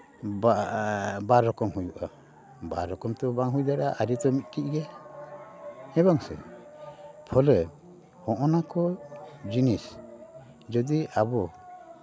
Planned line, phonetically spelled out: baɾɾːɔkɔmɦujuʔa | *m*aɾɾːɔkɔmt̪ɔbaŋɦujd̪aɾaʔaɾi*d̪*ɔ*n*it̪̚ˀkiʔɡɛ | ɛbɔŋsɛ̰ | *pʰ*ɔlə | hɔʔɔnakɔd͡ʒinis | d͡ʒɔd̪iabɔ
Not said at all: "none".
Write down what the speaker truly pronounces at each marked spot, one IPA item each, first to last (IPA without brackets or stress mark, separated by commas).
b, t̪, m, pʰ